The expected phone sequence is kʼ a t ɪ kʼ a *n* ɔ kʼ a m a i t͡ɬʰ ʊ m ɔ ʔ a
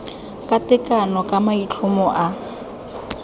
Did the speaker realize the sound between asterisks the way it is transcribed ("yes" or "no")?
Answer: yes